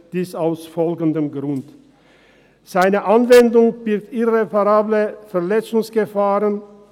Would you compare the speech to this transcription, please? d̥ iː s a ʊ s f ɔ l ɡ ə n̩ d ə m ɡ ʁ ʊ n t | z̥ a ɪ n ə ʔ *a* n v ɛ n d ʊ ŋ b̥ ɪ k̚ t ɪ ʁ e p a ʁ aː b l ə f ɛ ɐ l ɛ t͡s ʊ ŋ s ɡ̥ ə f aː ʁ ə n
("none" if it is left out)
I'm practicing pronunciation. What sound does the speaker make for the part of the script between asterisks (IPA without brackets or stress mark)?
a